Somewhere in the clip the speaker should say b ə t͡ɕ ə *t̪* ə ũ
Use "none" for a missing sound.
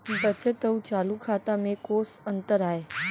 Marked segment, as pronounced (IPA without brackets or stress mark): t̪